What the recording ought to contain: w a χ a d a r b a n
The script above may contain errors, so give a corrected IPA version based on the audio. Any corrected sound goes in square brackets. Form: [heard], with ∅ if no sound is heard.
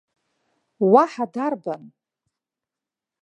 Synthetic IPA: w a [ħ] a d a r b a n